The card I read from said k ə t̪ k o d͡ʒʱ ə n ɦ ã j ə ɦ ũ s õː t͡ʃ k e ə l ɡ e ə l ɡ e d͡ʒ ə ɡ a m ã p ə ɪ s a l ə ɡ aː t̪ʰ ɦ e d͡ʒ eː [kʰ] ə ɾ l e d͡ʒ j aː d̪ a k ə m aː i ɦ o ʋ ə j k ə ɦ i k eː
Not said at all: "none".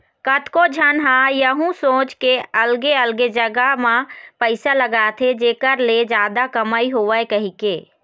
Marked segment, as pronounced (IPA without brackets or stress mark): k